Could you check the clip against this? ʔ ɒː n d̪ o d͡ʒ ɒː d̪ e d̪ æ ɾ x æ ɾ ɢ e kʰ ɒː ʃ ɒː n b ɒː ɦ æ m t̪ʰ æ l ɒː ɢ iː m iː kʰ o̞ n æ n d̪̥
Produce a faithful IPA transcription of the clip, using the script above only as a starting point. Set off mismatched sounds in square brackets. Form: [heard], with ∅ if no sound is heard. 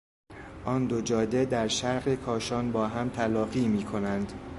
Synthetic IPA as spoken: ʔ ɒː n d̪ o d͡ʒ ɒː d̪ e d̪ æ ɾ [ʃ] æ ɾ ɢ e kʰ ɒː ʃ ɒː n b ɒː ɦ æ m t̪ʰ æ l ɒː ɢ iː m iː kʰ o̞ n æ n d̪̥